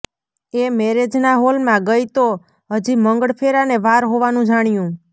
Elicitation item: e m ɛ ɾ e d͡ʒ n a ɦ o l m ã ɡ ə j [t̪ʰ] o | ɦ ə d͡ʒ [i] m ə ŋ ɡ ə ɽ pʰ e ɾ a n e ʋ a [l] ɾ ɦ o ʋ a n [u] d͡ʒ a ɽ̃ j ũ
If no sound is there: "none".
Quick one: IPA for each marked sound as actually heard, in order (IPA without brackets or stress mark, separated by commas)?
t̪, i, none, ũ